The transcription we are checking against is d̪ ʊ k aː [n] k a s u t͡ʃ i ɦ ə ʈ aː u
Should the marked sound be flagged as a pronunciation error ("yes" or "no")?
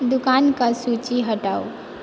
no